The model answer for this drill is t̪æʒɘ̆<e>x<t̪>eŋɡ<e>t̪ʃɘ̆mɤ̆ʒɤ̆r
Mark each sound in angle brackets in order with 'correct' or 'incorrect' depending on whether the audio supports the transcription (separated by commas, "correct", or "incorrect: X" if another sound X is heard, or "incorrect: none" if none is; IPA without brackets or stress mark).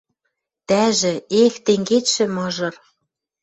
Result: correct, correct, correct